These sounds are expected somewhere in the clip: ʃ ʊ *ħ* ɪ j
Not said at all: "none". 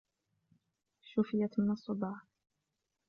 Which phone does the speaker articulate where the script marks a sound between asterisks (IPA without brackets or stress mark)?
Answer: f